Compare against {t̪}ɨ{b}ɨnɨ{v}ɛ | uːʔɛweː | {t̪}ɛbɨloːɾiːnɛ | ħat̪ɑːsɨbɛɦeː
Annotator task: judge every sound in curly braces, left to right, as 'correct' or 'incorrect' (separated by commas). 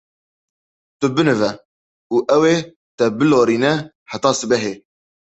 correct, correct, correct, correct